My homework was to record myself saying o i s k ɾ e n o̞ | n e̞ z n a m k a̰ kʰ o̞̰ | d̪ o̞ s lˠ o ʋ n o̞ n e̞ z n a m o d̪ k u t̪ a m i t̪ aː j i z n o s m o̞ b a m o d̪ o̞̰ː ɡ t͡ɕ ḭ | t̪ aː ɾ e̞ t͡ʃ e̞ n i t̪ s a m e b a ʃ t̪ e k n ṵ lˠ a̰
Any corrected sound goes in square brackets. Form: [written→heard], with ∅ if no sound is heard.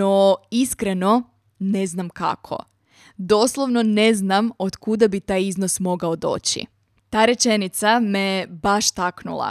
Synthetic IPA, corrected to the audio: o i s k ɾ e n o̞ | n e̞ z n a m k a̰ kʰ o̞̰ | d̪ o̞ s lˠ o ʋ n o̞ n e̞ z n a m o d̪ k u [t̪→d̪] a [m→b] i t̪ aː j i z n o s m o̞ [b→ɡ] a [m→∅] o d̪ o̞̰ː [ɡ→∅] t͡ɕ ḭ | t̪ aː ɾ e̞ t͡ʃ e̞ n i t̪ s a m e b a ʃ t̪ [e→a] k n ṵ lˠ a̰